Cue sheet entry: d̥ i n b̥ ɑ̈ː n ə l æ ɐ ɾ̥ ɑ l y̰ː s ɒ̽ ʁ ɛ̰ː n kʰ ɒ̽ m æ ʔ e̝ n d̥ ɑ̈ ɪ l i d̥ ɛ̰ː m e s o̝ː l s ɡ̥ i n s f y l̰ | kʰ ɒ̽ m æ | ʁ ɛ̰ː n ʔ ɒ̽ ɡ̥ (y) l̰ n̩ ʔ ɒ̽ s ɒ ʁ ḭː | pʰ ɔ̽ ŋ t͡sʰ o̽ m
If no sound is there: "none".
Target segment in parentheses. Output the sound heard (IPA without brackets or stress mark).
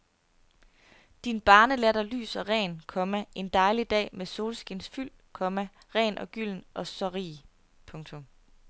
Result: y